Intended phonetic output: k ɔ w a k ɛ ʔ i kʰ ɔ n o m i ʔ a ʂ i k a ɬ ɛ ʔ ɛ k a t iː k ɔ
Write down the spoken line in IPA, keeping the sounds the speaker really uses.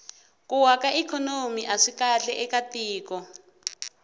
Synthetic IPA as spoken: k u w a k a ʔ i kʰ ɔ n o m i ʔ a ʂ i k a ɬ ɛ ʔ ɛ k a t iː k ɔ

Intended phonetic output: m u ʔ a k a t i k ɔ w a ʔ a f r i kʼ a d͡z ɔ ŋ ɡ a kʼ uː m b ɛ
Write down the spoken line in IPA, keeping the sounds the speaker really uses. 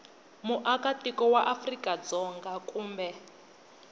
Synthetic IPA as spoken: m u ʔ a k a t i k ɔ w a ʔ a f r i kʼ a d͡z ɔ ŋ ɡ a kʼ uː m b ɛ

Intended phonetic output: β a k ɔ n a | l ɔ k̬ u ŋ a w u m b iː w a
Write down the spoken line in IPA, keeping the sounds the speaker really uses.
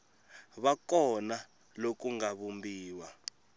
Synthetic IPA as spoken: β a k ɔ n a | l o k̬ u ŋ a β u m b iː w a

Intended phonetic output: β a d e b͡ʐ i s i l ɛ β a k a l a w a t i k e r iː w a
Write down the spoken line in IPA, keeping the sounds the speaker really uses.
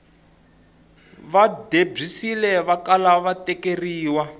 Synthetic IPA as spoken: β a d e b͡ʐ i s i l ɛ β a k a l a β a t ɛ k e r iː w a

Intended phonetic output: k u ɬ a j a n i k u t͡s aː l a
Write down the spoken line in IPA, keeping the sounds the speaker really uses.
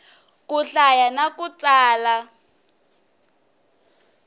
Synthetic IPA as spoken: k u ɬ a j a n a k u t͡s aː l a

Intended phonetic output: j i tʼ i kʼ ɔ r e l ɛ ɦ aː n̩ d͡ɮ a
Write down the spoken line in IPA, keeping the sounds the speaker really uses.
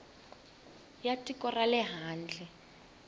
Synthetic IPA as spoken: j a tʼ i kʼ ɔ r a l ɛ ɦ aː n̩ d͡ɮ ɛ

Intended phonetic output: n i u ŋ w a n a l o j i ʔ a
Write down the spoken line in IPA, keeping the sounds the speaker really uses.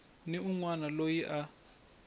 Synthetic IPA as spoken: n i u ŋ w a n a l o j i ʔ a

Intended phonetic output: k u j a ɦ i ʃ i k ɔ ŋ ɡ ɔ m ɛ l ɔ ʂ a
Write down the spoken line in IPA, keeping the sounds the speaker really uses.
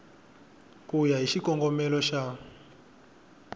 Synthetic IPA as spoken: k u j a ɦ i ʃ i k ɔ ŋ ɡ ɔ m ɛ l ɔ ʃ a

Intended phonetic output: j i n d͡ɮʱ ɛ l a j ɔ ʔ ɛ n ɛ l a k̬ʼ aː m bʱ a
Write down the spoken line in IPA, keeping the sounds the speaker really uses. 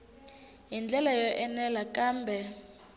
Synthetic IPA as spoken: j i n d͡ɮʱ ɛ l a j ɔ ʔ ɛ n ɛ l a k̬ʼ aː m bʱ ɛ

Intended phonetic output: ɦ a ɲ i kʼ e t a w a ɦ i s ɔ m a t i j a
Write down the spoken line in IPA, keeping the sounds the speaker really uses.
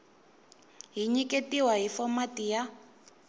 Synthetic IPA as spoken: ɦ i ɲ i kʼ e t i w a ɦ i f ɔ m a t i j a

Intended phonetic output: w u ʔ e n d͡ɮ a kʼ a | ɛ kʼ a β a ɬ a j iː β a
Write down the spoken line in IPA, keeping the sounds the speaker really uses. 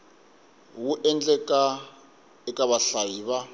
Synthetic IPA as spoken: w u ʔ ɛ n d͡ɮ ɛ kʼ a | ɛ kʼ a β a ɬ a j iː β a

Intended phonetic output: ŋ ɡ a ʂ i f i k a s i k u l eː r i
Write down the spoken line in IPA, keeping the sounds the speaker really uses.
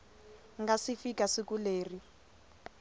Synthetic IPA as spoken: ŋ ɡ a s i f i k a s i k u l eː r i

